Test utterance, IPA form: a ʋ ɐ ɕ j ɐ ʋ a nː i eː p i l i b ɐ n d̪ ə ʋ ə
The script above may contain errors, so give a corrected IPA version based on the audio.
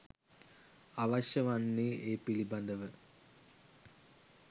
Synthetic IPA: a ʋ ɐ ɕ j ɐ ʋ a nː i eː p i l i b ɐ n d̪ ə ʋ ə